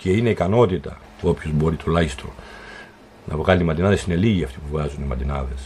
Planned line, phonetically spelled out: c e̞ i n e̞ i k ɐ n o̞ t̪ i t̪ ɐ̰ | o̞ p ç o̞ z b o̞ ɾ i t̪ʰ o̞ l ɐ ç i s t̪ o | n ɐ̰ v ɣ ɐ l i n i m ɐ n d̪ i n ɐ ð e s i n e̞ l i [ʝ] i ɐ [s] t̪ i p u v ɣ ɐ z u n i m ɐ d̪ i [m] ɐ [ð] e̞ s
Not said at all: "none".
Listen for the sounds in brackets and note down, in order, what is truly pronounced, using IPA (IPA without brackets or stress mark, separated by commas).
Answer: ʝ, f, n, ð